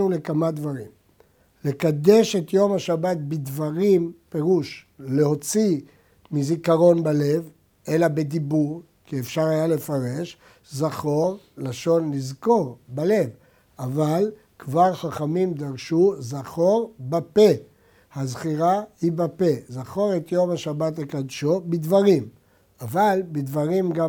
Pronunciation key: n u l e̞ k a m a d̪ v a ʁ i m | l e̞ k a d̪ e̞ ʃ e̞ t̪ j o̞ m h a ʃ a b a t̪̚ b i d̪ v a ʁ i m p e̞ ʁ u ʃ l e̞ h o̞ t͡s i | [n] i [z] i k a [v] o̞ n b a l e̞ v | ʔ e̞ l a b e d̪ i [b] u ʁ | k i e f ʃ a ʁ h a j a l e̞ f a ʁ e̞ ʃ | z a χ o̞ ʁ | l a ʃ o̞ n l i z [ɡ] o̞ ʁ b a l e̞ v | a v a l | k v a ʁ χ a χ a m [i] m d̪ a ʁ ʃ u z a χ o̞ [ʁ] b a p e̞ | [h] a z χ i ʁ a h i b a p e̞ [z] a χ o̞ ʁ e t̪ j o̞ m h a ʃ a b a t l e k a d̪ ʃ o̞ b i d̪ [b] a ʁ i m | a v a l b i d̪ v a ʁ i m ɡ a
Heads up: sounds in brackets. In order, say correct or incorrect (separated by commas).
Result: incorrect, correct, incorrect, correct, incorrect, correct, correct, correct, correct, incorrect